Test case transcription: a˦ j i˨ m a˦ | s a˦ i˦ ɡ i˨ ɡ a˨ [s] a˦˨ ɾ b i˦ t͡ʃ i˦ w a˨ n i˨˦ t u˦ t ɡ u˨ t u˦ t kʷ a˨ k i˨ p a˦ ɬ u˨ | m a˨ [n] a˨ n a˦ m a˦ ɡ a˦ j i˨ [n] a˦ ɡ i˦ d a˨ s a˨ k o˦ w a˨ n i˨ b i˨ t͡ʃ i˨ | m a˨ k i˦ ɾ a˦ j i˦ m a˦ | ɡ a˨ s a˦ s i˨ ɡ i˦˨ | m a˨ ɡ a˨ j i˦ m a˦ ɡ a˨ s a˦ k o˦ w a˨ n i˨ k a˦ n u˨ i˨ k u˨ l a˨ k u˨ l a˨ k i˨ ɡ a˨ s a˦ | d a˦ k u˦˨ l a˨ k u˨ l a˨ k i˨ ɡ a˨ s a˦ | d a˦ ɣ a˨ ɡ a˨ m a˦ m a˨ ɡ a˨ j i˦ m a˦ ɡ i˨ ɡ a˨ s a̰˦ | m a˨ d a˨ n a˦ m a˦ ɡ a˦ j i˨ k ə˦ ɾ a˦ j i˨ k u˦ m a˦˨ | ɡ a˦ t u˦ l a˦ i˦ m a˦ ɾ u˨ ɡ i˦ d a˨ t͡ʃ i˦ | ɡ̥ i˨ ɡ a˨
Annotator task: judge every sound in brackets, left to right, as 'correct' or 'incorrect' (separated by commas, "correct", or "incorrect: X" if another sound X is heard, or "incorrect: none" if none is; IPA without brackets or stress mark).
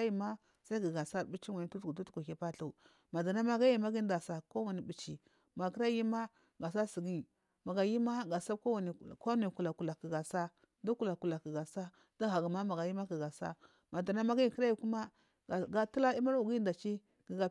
correct, incorrect: d, incorrect: m